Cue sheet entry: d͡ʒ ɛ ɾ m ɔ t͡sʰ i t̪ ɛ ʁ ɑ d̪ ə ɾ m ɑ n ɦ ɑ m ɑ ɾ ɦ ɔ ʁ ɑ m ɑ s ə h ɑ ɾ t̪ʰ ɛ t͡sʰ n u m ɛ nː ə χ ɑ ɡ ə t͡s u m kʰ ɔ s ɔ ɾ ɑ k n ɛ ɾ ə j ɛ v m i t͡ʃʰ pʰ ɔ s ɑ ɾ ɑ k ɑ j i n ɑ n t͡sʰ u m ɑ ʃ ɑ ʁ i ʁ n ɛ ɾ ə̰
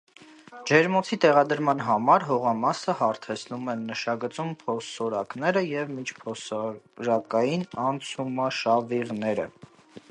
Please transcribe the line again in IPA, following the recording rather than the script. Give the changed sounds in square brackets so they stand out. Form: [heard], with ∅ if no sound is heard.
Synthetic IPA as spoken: d͡ʒ ɛ ɾ m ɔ t͡sʰ i t̪ ɛ ʁ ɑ d̪ ə ɾ m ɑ n ɦ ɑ m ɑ ɾ ɦ ɔ ʁ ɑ m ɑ s ə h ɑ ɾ t̪ʰ ɛ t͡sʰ n u m ɛ nː ə [ʃ] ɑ ɡ ə t͡s u m [pʰ] ɔ s ɔ ɾ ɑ k n ɛ ɾ ə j ɛ v m i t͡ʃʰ pʰ ɔ s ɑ ɾ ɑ k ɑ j i n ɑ n t͡sʰ u m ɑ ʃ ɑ [v] i ʁ n ɛ ɾ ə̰